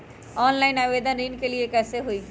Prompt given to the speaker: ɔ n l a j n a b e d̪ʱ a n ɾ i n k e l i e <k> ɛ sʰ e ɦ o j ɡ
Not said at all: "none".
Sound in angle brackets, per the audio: k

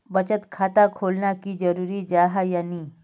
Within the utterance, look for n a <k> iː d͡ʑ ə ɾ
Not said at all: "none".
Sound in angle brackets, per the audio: k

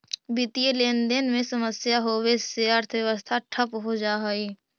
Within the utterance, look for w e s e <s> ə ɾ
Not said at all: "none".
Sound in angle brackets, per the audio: none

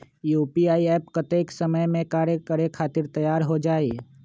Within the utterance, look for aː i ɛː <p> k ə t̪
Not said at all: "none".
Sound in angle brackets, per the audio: p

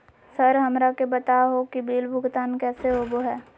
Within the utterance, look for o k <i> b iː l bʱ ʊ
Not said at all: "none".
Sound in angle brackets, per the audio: i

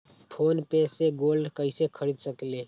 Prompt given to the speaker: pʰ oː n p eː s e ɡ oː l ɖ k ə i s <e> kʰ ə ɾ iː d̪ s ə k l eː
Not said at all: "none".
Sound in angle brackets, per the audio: e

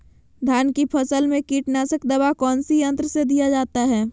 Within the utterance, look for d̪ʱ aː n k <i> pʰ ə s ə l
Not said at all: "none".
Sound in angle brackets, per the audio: i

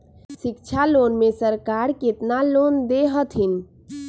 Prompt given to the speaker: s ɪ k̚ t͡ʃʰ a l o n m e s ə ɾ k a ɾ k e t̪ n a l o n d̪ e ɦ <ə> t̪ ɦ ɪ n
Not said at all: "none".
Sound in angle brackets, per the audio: ə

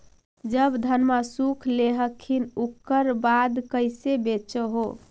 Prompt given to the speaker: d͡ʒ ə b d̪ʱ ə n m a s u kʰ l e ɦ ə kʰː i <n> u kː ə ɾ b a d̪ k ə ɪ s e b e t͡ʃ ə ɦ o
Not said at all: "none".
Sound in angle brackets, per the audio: n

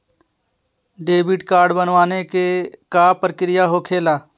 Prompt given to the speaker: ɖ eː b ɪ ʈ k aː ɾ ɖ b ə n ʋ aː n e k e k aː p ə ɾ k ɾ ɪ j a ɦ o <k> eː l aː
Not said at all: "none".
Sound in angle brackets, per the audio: kʰ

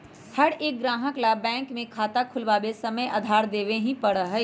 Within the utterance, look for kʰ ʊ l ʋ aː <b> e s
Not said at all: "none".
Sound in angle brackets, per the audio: b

